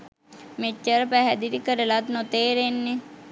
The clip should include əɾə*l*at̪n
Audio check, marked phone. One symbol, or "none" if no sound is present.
l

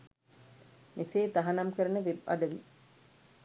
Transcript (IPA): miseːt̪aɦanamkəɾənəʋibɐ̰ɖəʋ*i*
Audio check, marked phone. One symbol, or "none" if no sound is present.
i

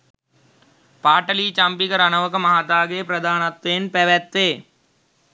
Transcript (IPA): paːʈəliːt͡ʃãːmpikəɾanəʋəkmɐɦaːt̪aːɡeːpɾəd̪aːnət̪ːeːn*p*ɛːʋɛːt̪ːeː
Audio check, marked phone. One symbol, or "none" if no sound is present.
p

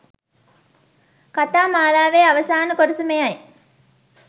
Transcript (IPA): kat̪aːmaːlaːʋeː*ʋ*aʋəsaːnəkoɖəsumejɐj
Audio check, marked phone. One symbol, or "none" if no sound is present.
none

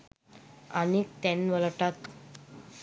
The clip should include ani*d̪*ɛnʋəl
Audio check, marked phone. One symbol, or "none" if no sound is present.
t̪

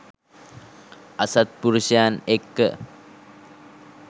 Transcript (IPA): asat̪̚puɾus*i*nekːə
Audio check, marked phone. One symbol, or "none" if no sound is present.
a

